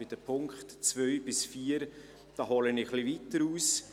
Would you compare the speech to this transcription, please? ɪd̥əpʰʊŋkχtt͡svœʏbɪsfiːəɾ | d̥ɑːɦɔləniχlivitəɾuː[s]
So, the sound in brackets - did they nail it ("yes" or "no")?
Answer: yes